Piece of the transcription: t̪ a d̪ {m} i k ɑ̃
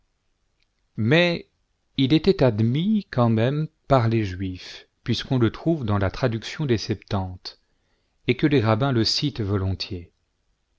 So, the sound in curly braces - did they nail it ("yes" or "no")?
yes